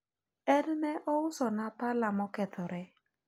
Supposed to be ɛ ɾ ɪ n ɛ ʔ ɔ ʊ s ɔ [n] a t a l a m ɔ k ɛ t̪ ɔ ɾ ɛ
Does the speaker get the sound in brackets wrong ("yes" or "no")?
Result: no